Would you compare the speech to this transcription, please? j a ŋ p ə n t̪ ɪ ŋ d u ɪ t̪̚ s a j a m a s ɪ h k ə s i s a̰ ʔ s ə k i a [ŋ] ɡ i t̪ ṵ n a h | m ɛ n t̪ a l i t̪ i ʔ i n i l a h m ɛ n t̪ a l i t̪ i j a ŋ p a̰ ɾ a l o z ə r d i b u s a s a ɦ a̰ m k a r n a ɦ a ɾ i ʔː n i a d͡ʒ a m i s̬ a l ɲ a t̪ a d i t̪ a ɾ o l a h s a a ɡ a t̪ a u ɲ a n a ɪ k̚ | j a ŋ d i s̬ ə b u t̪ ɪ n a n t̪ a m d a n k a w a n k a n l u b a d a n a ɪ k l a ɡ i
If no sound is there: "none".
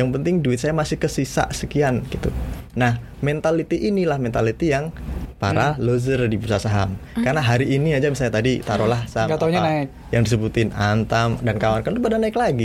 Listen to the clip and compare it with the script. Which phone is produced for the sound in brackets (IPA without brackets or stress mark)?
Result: n